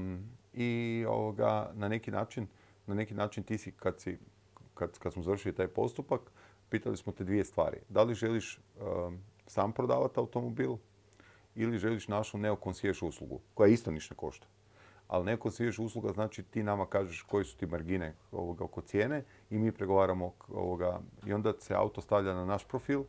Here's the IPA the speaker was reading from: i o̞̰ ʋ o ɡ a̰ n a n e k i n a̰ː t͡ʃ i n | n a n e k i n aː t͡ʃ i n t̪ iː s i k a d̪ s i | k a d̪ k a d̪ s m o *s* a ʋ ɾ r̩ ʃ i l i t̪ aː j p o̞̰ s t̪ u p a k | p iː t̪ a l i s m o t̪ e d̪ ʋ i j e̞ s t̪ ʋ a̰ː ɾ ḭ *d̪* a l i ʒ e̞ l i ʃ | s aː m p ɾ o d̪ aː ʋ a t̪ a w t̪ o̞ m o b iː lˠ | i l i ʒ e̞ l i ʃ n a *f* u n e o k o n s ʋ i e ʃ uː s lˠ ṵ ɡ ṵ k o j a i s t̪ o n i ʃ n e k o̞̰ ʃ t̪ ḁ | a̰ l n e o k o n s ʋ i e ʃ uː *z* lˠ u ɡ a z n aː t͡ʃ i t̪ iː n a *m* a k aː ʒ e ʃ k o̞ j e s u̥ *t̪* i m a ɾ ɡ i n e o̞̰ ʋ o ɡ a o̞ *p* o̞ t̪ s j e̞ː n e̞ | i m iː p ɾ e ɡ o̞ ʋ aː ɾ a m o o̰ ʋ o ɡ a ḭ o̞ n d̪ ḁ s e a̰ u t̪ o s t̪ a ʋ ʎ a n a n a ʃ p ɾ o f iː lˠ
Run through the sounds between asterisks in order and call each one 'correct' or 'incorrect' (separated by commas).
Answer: incorrect, correct, incorrect, incorrect, correct, correct, incorrect